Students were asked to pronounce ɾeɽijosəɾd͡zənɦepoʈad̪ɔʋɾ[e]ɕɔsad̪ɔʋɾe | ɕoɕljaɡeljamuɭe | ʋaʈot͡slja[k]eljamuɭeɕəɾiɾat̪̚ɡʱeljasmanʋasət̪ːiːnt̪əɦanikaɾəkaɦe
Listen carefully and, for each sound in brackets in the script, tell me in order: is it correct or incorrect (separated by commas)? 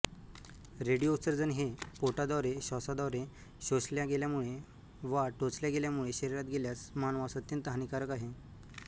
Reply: correct, incorrect